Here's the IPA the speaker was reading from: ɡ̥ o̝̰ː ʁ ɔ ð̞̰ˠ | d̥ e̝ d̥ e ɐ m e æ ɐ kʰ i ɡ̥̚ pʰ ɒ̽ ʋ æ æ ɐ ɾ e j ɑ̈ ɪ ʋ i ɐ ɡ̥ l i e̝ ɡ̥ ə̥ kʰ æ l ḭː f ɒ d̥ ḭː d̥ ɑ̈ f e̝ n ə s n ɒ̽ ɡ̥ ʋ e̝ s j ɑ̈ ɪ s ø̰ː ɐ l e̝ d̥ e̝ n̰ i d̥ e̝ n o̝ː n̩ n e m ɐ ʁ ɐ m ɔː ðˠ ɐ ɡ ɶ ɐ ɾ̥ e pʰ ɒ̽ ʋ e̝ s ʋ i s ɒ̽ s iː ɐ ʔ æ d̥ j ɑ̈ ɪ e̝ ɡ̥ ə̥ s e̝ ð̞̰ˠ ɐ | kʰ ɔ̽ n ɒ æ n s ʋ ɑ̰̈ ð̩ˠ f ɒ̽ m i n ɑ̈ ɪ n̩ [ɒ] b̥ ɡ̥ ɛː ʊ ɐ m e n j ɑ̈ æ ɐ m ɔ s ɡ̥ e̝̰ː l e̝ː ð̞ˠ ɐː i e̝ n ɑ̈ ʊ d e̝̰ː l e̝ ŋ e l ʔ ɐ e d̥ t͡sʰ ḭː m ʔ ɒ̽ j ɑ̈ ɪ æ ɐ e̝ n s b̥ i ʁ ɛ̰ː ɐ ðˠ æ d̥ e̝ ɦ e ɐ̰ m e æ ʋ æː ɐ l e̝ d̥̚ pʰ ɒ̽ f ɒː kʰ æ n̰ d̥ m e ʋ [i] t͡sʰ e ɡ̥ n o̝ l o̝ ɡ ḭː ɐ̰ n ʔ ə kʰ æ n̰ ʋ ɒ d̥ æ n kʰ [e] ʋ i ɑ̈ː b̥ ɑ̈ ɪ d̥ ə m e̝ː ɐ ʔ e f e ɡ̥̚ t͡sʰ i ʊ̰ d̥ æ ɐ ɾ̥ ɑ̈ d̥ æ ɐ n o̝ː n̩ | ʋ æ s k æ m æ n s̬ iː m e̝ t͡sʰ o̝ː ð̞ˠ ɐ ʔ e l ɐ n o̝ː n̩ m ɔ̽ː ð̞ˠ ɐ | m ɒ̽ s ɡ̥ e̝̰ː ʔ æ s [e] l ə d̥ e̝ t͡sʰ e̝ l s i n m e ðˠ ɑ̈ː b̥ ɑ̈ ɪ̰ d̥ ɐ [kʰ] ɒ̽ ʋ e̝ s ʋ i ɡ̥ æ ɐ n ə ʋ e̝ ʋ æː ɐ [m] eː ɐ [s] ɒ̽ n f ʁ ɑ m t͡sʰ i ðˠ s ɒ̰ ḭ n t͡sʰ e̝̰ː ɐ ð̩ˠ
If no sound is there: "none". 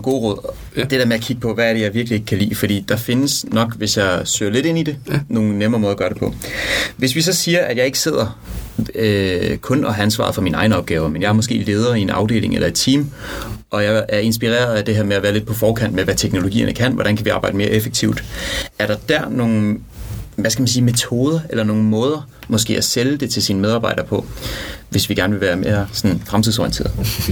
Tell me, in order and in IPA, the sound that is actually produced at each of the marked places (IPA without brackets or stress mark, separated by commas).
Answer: ɒ, æ, æ, e, pʰ, m, s